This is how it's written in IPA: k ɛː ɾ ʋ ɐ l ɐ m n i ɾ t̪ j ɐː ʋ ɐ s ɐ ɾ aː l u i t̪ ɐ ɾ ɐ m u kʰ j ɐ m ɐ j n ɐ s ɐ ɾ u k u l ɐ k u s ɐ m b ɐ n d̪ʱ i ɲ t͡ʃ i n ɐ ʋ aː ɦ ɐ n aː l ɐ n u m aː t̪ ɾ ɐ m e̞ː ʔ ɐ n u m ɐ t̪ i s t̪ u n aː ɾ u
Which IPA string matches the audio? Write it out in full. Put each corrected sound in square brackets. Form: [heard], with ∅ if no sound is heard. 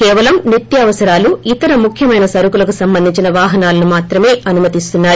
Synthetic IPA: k ɛː [∅] ʋ ɐ l ɐ m n i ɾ t̪ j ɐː ʋ ɐ s ɐ ɾ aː l u i t̪ ɐ ɾ ɐ m u kʰ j ɐ m ɐ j n ɐ s ɐ ɾ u k u l ɐ k u s ɐ m b ɐ n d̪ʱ i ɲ t͡ʃ i n ɐ ʋ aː ɦ ɐ n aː l ɐ n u m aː t̪ ɾ ɐ m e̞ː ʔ ɐ n u m ɐ t̪ i s t̪ u [nː] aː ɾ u